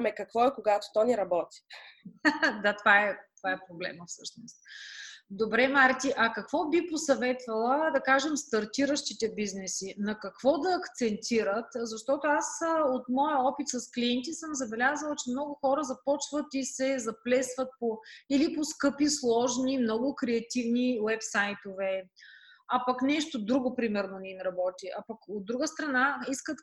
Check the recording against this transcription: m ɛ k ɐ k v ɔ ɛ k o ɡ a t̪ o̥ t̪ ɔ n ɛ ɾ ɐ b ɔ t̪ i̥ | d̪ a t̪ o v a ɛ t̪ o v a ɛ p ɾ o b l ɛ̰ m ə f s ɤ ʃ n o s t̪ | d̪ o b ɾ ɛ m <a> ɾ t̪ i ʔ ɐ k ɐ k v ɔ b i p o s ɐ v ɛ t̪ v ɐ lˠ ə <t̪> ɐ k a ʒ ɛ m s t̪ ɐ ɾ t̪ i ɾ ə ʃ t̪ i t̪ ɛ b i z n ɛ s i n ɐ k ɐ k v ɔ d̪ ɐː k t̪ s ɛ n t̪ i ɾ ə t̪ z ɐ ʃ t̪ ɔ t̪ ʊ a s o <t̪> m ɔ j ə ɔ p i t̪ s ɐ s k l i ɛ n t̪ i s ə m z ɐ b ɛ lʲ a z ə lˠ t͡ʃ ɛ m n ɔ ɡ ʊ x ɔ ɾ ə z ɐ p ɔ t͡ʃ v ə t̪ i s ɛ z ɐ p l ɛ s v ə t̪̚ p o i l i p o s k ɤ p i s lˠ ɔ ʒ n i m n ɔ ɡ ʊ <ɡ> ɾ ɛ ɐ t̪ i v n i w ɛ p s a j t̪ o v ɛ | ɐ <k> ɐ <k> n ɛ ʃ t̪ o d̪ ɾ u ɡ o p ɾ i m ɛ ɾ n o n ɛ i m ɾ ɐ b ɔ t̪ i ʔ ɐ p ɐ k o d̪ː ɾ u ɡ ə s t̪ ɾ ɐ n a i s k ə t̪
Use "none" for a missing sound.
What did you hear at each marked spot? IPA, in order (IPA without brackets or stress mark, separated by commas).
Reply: a, d̪, t̪, k, p, k